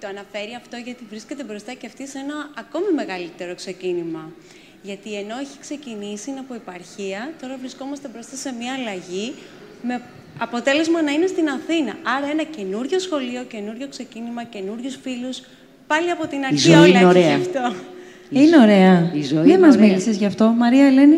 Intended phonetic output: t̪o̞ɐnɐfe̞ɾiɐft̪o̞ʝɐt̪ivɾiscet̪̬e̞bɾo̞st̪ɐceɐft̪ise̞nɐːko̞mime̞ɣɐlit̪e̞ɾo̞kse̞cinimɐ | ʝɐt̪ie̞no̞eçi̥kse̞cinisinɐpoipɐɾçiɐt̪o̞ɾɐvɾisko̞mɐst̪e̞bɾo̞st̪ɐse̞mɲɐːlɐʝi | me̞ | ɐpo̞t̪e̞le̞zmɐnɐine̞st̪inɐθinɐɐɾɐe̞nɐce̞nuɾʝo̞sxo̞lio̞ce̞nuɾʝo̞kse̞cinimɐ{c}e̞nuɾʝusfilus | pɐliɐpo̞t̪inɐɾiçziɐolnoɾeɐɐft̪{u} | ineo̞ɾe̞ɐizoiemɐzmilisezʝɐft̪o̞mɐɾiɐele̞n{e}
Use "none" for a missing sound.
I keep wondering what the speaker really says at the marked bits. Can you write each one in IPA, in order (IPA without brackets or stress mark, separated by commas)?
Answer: c, o, i